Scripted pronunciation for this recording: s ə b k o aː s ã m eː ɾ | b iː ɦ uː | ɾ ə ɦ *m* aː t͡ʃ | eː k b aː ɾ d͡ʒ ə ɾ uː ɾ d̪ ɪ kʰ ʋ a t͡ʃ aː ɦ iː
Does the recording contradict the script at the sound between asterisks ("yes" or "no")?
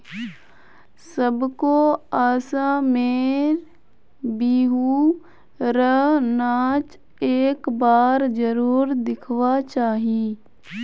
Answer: yes